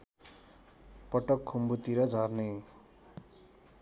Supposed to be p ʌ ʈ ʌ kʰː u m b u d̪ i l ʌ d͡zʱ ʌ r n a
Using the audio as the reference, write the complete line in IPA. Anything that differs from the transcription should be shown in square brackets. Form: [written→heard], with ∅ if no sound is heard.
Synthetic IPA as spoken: p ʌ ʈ ʌ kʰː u m b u [d̪→t̪] i [l→ɾ] ʌ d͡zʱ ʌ r n [a→e]